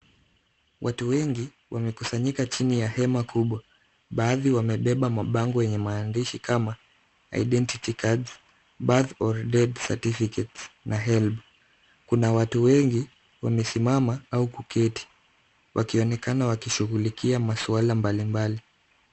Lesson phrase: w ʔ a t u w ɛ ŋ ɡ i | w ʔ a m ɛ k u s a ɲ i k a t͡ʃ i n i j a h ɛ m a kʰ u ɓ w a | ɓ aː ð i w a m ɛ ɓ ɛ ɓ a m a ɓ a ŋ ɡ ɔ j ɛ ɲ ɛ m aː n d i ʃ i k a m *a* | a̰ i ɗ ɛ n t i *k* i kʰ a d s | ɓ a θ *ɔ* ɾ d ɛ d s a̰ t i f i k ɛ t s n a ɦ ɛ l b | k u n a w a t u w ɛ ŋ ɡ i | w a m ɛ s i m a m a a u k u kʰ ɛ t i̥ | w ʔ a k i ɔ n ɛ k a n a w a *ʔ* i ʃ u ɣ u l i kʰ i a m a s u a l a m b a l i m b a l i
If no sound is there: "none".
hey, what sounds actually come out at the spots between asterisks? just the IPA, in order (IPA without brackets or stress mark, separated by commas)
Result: a, t, ɔ, k